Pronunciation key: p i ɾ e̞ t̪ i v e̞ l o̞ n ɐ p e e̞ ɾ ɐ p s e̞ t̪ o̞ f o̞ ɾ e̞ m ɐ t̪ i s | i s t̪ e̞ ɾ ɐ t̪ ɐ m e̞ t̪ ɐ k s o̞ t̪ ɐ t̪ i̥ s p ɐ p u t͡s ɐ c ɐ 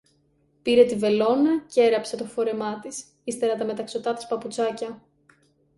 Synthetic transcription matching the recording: p i ɾ e̞ t̪ i v e̞ l o̞ n ɐ c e e̞ ɾ ɐ p s e̞ t̪ o̞ f o̞ ɾ e̞ m ɐ t̪ i s | i s t̪ e̞ ɾ ɐ t̪ ɐ m e̞ t̪ ɐ k s o̞ t̪ ɐ t̪ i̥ s p ɐ p u t͡s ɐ c ɐ